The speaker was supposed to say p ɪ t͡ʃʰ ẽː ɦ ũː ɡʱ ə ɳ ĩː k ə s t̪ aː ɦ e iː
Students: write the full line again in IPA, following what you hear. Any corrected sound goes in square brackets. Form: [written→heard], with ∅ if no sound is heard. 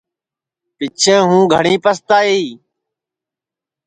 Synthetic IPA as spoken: p ɪ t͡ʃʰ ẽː ɦ ũː ɡʱ ə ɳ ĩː [k→p] ə s t̪ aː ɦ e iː